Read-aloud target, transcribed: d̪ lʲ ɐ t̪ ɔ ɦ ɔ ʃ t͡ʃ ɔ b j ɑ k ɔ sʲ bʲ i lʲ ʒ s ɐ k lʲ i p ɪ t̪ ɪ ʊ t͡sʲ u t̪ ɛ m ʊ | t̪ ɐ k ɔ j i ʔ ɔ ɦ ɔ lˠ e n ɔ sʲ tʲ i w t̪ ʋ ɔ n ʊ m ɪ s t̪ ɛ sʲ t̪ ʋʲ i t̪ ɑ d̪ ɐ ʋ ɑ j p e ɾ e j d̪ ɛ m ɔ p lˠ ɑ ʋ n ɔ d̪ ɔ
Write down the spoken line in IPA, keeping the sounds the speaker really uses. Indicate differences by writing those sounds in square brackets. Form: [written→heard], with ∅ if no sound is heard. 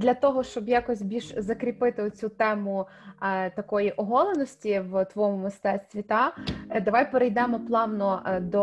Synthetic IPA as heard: d̪ lʲ ɐ t̪ ɔ ɦ ɔ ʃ t͡ʃ ɔ b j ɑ k ɔ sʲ bʲ i lʲ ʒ [s→z] ɐ k [lʲ→ɾʲ] i p ɪ t̪ ɪ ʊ t͡sʲ u t̪ ɛ m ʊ | t̪ ɐ k ɔ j i ʔ ɔ ɦ ɔ lˠ e n ɔ sʲ tʲ i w t̪ ʋ ɔ [n→m] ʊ m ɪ s t̪ ɛ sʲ t̪ ʋʲ i t̪ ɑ d̪ ɐ ʋ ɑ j p e ɾ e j d̪ ɛ m ɔ p lˠ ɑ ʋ n ɔ d̪ ɔ